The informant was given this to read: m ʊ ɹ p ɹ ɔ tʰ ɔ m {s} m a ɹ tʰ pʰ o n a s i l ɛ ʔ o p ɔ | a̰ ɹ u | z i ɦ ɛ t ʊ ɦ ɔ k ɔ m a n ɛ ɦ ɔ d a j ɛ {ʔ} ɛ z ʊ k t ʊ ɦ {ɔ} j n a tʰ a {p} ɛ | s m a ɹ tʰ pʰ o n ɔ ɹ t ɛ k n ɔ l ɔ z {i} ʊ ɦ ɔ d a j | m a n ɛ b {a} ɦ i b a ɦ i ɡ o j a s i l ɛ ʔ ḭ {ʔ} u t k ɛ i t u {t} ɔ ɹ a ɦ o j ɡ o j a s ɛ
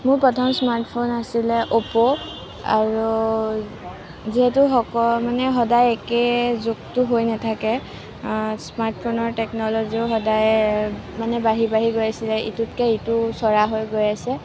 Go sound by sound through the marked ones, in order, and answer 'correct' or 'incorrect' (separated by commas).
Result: correct, incorrect, incorrect, incorrect, correct, correct, incorrect, incorrect